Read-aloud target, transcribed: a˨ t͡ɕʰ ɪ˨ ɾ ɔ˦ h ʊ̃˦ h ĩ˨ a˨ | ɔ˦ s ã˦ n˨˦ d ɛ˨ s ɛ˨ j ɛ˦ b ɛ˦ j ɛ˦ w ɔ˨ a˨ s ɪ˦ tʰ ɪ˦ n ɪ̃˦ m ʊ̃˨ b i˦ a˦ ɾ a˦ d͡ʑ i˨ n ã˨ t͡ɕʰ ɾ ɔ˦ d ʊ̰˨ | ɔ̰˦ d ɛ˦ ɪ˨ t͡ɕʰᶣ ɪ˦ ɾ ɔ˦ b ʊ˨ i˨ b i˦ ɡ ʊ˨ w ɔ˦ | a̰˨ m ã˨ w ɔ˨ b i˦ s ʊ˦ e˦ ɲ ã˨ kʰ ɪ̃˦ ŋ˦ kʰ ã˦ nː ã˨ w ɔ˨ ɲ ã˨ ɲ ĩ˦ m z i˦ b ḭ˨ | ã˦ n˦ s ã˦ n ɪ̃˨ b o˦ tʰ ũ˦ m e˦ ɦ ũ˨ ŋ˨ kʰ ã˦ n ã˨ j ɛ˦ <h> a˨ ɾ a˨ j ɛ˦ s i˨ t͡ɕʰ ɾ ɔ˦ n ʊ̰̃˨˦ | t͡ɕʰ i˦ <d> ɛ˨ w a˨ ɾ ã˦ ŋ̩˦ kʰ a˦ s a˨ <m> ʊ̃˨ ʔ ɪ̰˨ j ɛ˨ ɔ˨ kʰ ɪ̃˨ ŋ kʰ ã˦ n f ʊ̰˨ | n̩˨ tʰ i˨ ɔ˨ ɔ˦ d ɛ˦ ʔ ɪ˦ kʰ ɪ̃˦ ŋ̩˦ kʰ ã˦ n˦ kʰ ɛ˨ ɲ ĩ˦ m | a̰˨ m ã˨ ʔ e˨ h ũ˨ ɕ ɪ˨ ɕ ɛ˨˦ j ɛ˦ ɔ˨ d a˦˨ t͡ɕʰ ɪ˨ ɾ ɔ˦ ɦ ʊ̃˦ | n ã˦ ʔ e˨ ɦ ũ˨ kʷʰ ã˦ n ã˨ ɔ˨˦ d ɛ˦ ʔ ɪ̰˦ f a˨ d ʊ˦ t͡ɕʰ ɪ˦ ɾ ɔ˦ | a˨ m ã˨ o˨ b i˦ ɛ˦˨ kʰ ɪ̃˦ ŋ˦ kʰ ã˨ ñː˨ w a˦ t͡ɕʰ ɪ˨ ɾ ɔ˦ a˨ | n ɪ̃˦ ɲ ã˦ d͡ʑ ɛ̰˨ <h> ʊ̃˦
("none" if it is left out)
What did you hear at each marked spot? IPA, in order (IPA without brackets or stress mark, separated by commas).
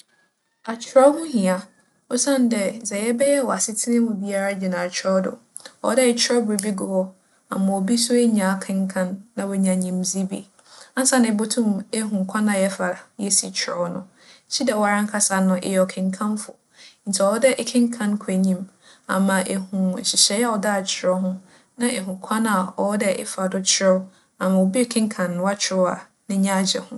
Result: f, d, n, h